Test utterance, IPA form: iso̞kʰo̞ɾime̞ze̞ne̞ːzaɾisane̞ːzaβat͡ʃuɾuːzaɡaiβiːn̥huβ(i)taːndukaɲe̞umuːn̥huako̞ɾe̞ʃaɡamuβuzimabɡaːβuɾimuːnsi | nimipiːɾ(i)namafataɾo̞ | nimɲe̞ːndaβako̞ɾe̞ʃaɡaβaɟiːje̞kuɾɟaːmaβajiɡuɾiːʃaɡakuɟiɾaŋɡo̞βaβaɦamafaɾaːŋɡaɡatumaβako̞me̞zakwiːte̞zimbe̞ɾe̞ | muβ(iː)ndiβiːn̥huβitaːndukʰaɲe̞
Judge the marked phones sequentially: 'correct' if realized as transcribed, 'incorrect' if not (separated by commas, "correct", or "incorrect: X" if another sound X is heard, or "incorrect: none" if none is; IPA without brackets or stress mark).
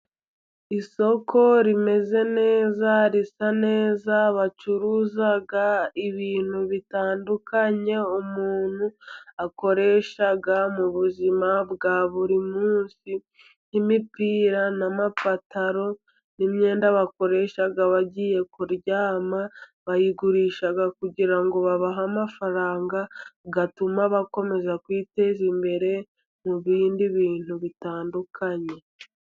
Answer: correct, incorrect: a, correct